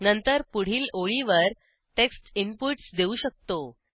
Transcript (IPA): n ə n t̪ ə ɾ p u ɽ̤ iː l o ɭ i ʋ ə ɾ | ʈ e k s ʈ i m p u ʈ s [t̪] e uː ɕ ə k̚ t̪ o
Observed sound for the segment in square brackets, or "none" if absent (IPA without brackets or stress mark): d̪